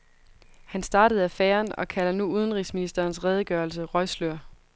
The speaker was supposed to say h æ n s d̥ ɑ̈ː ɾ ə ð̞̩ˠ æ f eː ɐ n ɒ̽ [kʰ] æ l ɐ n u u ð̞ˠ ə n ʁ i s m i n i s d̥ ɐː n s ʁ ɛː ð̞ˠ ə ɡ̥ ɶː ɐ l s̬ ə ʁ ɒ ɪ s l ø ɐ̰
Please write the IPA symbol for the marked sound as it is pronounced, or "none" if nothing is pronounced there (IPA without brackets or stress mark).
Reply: kʰ